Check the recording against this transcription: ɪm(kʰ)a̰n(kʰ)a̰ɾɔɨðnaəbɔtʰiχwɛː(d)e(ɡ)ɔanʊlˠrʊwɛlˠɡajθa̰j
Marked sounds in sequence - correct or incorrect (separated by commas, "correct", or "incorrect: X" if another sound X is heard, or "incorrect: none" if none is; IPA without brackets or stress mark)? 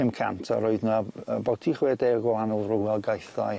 correct, incorrect: tʰ, correct, correct